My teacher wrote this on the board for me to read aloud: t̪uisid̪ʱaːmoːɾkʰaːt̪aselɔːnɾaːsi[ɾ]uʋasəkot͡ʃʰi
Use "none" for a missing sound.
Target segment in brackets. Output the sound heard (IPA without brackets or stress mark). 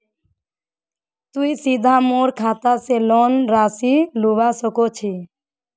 l